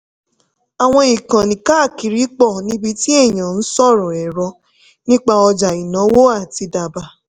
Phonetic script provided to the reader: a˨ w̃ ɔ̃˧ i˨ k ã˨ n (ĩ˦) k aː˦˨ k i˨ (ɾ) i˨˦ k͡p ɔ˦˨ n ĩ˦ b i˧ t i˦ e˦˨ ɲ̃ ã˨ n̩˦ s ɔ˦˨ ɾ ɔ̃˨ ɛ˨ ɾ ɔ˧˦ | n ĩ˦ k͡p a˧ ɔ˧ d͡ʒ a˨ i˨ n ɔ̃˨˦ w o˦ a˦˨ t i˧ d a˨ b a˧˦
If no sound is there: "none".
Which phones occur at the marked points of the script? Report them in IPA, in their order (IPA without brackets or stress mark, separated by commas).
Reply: ĩ˨, ɾ